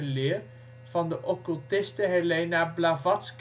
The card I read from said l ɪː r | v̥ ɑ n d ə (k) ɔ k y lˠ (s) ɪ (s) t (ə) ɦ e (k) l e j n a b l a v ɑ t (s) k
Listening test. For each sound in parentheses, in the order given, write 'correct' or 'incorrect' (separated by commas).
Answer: incorrect, incorrect, correct, correct, incorrect, correct